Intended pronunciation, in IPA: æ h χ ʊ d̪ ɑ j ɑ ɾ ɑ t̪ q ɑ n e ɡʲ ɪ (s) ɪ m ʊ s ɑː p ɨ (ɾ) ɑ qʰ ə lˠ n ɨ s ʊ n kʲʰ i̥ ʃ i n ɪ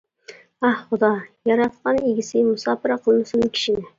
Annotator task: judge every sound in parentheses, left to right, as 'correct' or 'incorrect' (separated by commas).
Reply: correct, correct